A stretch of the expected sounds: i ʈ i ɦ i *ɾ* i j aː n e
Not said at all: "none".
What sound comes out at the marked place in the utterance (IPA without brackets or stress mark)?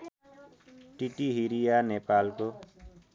ɾ